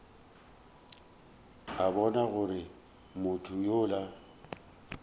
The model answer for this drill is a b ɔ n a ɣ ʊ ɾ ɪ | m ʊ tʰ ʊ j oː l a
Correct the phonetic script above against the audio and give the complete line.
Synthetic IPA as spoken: a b ɔ n a ɣ ʊ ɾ ɪ | m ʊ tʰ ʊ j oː l a

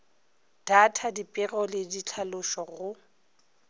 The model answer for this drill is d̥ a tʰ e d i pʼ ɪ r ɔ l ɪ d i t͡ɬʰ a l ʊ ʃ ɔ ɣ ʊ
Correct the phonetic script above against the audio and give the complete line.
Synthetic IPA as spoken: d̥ a tʰ a d i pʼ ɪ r ɔ l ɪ d i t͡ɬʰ a l ʊ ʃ ɔ ɣ ʊ

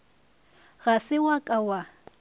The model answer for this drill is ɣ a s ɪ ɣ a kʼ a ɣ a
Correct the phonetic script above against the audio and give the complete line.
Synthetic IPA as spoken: ɣ a s ɪ w a kʼ a w a

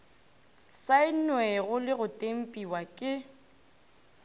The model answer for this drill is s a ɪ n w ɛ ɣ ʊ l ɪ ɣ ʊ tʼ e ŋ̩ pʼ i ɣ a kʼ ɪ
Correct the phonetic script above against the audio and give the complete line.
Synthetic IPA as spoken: s a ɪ n w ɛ ɣ ʊ l ɪ ɣ ʊ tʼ e m̩ pʼ i w a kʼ ɪ

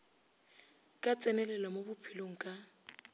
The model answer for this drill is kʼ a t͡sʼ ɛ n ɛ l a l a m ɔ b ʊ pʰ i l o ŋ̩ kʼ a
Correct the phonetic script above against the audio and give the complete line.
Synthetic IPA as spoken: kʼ a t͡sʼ ɛ n ɛ l ɛ l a m o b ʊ pʰ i l o ŋ̩ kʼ a

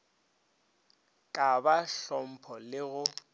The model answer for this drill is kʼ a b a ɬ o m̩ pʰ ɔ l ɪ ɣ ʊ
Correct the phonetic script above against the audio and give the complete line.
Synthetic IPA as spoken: kʼ a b a ɬ ɔ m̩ pʰ ɔ l ɪ ɣ ʊ

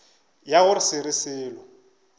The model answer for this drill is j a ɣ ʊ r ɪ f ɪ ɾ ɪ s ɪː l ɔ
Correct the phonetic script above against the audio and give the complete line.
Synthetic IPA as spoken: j a ɣ ʊ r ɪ s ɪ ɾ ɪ s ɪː l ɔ

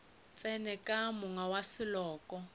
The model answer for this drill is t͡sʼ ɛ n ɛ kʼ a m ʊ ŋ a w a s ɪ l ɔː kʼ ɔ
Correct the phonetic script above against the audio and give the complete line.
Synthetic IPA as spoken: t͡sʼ ɛ n ɛ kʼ a m ʊ ŋ a w a s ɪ l ɔː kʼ ɔ

